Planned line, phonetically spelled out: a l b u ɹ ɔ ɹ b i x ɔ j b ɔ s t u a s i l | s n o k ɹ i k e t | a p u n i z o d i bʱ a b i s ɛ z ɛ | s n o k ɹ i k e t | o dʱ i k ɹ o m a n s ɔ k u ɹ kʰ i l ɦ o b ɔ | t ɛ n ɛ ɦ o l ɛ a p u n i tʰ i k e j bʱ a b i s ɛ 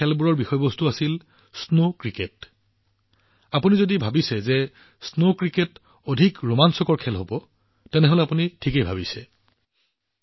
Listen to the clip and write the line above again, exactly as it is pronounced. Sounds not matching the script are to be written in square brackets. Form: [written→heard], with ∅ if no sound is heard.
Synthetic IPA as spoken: [a→ɛ] l b u ɹ ɔ ɹ b i x ɔ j b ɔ s t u a s i l | s n o k ɹ i k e t | a p u n i z o d i bʱ a b i s ɛ z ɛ | s n o k ɹ i k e t | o dʱ i k ɹ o m a n s ɔ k [u→ɔ] ɹ kʰ [i→ɛ] l ɦ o b ɔ | t ɛ n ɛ ɦ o l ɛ a p u n i tʰ i k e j bʱ a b i s ɛ